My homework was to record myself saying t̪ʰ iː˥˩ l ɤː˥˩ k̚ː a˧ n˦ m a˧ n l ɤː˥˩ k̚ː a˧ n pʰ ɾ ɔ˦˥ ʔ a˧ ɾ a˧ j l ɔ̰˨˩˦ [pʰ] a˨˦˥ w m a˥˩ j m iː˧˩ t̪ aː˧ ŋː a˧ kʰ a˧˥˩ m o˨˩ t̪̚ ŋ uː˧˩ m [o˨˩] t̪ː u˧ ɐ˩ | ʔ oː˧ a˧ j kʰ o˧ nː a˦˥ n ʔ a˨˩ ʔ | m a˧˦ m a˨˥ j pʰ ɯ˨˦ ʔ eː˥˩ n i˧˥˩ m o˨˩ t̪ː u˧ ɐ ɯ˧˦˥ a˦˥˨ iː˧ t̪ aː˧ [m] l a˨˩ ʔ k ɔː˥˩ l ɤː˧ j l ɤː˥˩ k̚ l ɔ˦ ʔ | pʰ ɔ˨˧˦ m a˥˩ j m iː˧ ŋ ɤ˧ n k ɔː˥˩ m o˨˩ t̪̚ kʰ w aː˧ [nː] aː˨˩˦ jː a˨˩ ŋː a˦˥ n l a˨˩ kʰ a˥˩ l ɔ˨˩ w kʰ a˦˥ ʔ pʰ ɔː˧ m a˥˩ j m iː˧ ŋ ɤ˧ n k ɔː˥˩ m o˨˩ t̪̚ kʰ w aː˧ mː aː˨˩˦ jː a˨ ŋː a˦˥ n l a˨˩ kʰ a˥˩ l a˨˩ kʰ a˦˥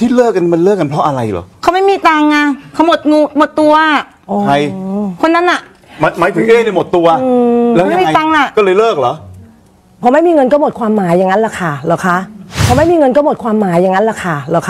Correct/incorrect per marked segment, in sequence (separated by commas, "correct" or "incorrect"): incorrect, correct, incorrect, incorrect